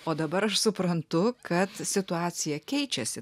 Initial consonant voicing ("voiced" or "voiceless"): voiced